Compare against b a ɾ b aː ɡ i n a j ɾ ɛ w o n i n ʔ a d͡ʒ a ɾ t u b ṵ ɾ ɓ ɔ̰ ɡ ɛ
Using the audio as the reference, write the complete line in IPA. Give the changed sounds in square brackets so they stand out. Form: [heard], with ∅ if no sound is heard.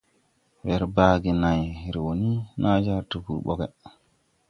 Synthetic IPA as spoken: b [ɛ] ɾ b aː ɡ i n a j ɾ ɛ w o n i n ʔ a d͡ʒ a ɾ t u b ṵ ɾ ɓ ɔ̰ ɡ ɛ